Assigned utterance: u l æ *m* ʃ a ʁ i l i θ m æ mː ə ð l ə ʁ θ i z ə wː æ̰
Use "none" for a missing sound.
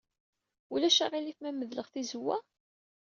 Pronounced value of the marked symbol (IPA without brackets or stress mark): none